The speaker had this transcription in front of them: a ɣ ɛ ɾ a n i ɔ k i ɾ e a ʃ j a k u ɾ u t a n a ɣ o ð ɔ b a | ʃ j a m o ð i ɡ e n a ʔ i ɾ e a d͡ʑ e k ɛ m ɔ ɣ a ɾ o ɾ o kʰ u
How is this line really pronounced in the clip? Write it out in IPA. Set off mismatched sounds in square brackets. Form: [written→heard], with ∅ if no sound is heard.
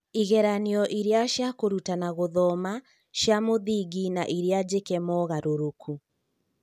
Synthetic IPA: [a→i] ɣ ɛ ɾ a n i ɔ [k→ʔ] i ɾ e a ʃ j a k [u→o] ɾ u t a n a ɣ o ð ɔ [b→m] a | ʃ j a m o ð i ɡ [e→i] n a ʔ i ɾ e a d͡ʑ e k ɛ m ɔ ɣ a ɾ o ɾ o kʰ u